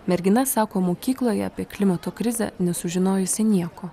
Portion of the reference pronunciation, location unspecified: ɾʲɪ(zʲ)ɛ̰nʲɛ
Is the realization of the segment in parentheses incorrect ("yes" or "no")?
no